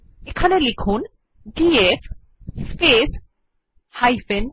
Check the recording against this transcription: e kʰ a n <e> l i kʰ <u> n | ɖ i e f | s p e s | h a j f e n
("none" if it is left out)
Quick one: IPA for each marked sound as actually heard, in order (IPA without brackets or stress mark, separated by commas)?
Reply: e, u